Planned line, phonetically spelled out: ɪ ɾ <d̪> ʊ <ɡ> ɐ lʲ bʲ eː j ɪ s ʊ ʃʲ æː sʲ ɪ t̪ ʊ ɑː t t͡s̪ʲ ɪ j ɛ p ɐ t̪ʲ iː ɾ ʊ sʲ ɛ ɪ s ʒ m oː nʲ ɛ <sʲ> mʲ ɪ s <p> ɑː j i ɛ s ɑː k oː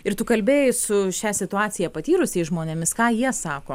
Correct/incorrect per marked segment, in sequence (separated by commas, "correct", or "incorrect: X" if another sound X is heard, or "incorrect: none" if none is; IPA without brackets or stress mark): incorrect: t̪, incorrect: k, incorrect: none, incorrect: k